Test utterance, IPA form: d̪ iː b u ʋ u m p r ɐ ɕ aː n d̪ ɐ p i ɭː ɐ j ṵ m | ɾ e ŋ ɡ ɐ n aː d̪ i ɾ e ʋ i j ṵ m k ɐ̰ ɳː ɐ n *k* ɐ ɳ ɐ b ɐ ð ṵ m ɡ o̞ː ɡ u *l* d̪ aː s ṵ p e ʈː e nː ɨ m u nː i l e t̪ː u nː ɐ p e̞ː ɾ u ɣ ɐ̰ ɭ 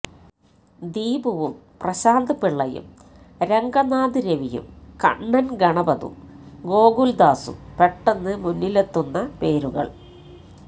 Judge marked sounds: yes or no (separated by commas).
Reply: no, yes